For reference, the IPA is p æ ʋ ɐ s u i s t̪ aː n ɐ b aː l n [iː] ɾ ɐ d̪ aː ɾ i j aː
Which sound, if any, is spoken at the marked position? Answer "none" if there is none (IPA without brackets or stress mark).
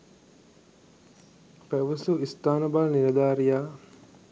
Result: i